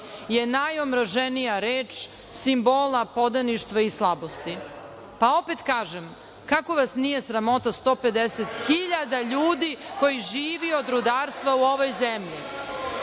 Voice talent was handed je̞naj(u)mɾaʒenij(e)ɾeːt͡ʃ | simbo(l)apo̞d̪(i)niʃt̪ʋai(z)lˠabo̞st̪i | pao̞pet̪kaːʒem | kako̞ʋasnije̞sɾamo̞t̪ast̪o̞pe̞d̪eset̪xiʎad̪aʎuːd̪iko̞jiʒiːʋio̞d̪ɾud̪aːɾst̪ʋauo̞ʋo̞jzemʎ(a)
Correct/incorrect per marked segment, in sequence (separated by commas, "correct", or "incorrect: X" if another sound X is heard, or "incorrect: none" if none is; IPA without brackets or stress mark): incorrect: o, incorrect: a, correct, incorrect: a, incorrect: s, incorrect: i